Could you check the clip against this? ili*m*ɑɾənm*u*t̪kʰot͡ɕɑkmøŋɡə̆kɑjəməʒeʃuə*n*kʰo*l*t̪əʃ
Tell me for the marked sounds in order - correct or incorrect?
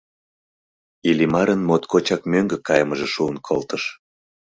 correct, incorrect, correct, correct

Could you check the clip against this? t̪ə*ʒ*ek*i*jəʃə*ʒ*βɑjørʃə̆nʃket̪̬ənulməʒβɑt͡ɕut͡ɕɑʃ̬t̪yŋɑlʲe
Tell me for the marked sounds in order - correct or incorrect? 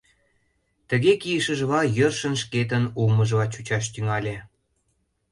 incorrect, correct, correct

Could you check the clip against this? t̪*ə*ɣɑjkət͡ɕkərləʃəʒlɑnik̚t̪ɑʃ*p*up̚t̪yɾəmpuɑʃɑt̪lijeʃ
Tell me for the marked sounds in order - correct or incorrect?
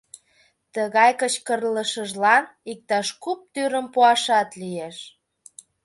correct, incorrect

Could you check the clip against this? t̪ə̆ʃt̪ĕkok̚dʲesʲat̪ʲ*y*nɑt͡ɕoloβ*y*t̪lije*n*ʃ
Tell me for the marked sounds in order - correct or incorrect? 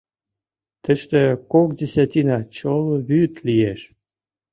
incorrect, correct, incorrect

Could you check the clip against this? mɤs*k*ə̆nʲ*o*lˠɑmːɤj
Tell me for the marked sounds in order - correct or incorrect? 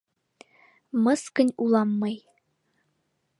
correct, incorrect

